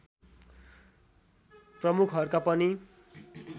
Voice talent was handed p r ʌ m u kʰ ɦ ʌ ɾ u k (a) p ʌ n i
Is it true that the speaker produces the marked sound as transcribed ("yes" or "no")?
yes